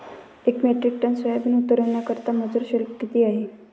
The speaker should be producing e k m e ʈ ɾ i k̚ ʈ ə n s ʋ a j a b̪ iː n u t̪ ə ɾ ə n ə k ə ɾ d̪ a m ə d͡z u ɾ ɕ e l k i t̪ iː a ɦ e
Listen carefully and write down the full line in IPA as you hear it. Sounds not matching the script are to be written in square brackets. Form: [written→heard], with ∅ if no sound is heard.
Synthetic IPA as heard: e k m e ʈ ɾ i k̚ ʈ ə n s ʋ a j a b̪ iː n u t̪ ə ɾ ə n [ə→a] k ə ɾ [d̪→t̪] a m ə d͡z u ɾ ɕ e l k i t̪ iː a ɦ e